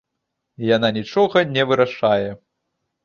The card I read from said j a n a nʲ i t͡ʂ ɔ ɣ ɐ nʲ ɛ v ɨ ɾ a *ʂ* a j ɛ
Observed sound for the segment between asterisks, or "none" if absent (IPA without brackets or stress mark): ʂ